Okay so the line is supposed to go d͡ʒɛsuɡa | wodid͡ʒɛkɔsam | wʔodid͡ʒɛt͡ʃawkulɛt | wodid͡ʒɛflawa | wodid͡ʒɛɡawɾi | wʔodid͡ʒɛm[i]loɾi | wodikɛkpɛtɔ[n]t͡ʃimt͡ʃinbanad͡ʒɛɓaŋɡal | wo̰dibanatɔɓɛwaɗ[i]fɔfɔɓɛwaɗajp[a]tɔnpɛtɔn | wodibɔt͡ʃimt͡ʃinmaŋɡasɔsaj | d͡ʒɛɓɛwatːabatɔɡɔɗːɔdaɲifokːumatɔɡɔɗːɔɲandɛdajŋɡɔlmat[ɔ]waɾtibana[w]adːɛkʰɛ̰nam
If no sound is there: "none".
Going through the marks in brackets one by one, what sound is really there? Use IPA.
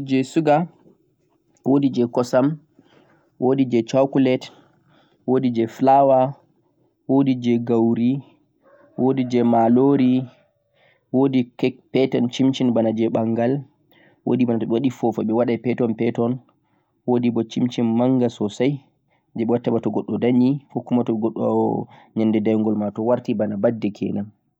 a, n, i, ɛ, ɔ, b

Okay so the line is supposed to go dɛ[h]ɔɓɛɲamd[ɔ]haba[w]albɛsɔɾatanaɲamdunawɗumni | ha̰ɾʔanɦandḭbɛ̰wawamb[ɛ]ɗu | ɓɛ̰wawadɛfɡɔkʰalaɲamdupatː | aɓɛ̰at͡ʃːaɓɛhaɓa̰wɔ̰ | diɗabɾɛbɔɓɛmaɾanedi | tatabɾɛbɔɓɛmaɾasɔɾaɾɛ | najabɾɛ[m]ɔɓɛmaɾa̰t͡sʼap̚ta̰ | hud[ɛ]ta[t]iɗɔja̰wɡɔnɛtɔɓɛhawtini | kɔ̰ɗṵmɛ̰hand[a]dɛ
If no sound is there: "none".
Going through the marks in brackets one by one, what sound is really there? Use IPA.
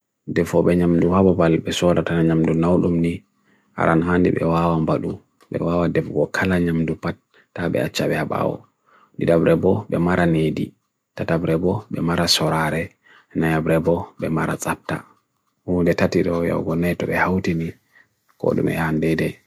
f, u, b, a, b, ɛ, t, ɛ

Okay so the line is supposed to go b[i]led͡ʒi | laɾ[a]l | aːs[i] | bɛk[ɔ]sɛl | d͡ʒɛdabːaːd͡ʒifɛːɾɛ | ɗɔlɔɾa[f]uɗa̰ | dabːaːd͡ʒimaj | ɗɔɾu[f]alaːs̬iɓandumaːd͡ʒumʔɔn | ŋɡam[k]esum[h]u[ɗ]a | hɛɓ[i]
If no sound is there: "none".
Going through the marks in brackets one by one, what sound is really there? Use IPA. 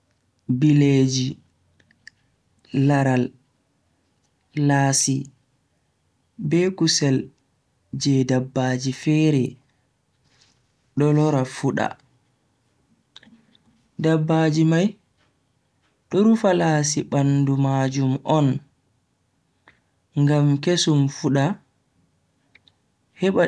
i, a, i, u, f, f, k, f, ɗ, a

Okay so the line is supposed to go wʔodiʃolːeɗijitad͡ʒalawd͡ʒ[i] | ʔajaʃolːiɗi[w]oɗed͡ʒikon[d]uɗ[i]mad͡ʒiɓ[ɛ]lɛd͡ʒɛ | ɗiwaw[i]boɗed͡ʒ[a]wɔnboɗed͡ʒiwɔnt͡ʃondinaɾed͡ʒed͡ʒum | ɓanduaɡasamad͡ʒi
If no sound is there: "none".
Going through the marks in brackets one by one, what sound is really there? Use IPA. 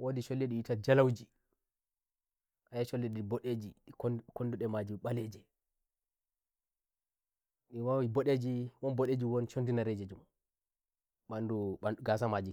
i, b, d, ɛ, a, i, i

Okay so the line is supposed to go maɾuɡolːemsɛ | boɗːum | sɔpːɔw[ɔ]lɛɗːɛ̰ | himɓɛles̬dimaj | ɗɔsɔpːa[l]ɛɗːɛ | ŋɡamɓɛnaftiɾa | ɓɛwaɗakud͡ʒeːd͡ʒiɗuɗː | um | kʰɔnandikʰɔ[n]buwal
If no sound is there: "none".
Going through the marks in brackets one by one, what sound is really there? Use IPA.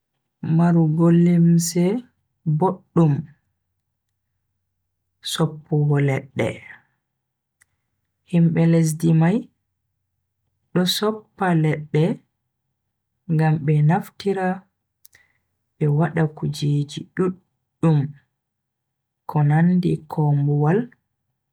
ɔ, l, m

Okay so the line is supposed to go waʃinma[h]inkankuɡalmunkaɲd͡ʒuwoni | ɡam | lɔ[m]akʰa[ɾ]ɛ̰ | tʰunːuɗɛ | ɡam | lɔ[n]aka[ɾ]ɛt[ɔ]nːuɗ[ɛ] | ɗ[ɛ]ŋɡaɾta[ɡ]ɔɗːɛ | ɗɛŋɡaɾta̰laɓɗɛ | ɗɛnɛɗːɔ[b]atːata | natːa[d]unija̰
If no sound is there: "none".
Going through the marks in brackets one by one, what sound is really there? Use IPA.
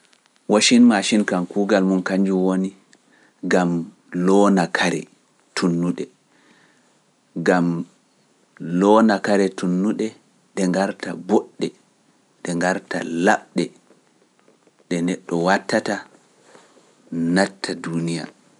ʃ, n, ɾ, n, ɾ, u, ɛ, ɛ, b, w, d

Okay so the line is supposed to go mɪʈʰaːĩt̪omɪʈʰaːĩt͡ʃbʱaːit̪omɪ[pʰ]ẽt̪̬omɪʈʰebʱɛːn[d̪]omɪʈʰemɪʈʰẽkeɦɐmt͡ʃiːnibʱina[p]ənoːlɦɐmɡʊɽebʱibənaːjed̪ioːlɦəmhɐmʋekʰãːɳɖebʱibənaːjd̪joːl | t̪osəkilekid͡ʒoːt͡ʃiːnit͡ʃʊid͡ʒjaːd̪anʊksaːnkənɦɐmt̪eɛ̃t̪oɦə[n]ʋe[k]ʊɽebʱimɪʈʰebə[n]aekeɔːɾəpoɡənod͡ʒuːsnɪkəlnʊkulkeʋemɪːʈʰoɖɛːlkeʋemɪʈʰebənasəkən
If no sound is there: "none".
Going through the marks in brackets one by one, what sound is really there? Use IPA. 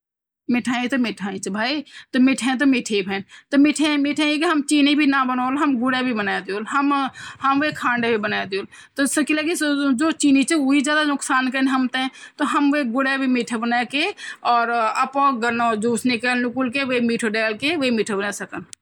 ʈʰ, t̪, b, m, ɡ, n

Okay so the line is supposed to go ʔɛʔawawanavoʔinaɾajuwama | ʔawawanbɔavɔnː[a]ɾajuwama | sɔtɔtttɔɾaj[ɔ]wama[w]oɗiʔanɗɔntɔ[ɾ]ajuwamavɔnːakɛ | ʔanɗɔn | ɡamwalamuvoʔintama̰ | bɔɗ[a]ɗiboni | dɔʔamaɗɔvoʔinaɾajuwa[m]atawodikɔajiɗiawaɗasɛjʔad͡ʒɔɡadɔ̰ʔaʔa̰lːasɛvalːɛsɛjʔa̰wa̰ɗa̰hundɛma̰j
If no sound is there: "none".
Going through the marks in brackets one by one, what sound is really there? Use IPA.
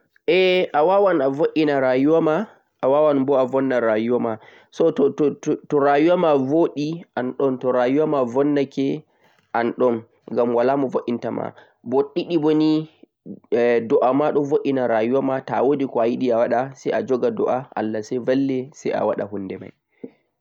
a, u, v, ɾ, i, m

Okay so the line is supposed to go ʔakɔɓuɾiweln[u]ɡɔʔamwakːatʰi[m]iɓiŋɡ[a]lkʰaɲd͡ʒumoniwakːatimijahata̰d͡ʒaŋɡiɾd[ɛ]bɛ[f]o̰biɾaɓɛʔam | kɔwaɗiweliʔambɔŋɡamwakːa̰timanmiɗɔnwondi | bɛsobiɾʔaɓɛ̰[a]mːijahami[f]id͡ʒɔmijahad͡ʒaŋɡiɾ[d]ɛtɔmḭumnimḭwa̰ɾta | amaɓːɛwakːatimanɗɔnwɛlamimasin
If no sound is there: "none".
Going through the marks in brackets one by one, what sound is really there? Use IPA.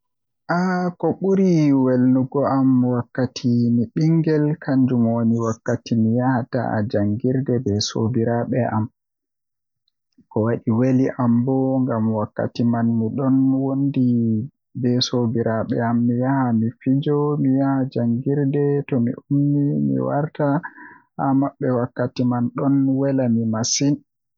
u, m, ɛ, ɛ, s, a, f, d

